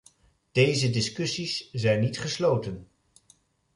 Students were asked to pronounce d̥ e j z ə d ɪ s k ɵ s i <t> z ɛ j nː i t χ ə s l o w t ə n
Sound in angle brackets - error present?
yes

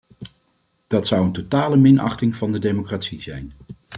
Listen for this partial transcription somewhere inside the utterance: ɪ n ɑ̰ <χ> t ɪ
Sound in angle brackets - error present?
no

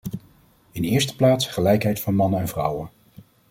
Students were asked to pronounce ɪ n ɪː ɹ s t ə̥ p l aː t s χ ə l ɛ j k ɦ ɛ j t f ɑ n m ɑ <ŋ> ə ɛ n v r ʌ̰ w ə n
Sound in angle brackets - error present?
yes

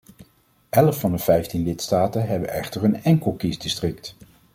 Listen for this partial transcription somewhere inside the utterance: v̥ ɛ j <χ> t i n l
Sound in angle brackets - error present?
yes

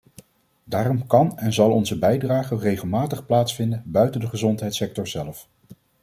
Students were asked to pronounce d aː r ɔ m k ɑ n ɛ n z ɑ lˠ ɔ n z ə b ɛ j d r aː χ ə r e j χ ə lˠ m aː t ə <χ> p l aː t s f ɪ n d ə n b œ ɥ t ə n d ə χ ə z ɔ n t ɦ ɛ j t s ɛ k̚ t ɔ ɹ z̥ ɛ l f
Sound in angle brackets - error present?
no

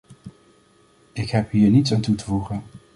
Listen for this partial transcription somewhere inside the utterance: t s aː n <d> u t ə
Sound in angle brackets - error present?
yes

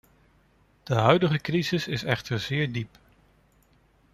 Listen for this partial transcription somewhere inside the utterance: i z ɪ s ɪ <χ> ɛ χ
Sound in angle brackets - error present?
yes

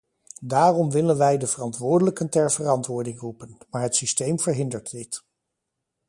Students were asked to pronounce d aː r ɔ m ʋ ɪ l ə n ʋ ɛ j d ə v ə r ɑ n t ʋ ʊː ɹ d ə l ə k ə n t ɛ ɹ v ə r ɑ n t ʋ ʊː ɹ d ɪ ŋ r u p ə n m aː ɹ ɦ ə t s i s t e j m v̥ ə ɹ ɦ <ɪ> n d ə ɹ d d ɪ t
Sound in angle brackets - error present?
no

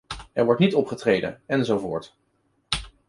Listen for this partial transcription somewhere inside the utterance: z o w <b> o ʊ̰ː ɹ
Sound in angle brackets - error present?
yes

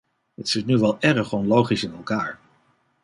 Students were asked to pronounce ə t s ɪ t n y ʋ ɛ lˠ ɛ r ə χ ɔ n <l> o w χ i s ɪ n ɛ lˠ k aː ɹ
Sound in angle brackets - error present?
no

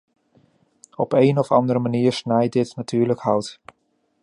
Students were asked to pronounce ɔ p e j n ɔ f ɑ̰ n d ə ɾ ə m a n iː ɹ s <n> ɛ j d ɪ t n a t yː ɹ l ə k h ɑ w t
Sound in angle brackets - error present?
no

